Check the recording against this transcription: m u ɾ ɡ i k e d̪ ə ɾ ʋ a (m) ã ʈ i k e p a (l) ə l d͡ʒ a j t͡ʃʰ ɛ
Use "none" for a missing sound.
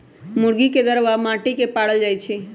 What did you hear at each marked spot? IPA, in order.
m, ɽ

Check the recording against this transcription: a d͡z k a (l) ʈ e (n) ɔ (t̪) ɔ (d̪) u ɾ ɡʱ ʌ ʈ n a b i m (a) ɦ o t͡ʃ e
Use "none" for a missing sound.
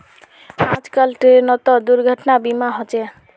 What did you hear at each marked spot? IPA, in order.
l, n, t̪, d̪, a

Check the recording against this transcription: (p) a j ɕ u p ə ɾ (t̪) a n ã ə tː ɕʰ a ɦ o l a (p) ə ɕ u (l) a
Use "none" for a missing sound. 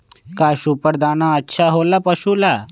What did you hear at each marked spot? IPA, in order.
k, d̪, p, l

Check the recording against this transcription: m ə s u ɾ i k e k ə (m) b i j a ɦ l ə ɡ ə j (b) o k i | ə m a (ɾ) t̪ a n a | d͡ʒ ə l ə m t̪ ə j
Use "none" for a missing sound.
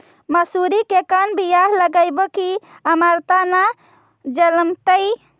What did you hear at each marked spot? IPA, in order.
n, b, ɾ

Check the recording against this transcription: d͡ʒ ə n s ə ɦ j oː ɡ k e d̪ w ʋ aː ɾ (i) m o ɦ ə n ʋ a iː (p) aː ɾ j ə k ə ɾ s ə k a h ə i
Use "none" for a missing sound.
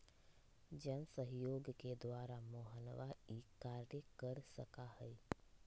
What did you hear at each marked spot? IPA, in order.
a, k

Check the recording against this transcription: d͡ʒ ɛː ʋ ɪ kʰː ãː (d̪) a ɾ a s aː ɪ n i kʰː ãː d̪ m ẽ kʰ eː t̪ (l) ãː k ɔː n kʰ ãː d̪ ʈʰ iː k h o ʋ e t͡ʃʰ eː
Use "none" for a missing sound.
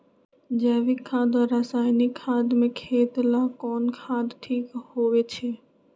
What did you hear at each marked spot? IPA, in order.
d̪, l

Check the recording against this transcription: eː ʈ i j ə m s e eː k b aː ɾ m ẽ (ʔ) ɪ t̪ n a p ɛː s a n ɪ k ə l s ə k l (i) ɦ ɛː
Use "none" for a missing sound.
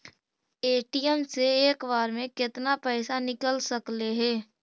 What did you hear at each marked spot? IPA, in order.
k, e

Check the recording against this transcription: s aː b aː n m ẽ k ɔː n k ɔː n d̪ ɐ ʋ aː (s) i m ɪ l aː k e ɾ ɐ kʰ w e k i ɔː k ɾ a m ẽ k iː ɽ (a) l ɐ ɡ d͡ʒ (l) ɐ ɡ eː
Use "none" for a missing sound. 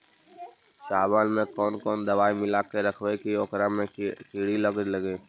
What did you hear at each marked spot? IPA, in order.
none, i, l

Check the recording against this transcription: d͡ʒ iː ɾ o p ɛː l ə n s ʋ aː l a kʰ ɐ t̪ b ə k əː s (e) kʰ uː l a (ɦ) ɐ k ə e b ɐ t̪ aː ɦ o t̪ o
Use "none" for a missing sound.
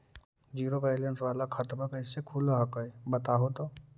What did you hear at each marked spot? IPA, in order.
e, ɦ

